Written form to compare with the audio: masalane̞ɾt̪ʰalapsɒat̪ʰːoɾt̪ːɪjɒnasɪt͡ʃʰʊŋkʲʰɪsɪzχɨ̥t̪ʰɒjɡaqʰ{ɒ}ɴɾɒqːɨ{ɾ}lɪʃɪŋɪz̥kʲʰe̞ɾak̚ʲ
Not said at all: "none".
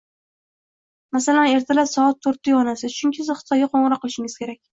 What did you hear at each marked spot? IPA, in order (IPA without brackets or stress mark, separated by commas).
o, none